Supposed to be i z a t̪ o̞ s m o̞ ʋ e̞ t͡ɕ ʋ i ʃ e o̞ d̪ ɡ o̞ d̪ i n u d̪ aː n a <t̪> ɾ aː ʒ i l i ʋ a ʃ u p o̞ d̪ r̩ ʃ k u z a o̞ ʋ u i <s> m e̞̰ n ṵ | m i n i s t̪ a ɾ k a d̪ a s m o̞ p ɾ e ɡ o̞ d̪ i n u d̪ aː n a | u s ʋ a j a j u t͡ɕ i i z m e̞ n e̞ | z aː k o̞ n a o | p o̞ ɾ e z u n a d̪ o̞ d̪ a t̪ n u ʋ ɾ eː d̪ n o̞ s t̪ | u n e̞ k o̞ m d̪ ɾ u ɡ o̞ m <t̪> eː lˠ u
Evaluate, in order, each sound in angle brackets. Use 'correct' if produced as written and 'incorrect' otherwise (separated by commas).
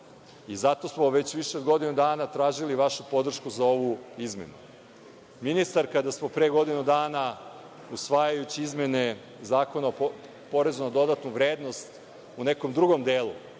correct, incorrect, incorrect